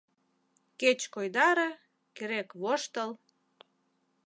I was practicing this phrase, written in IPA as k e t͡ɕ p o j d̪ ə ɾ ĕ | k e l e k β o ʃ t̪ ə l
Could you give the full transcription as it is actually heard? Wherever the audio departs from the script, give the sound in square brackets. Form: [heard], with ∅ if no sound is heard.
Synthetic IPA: k e t͡ɕ [k] o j d̪ [ɑ] ɾ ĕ | k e [ɾ] e k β o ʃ t̪ ə l